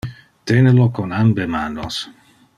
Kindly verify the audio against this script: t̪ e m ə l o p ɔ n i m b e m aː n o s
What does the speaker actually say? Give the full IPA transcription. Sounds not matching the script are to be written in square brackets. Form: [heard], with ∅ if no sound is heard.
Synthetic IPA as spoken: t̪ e [n] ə l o [k] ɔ n [a] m b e m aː n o s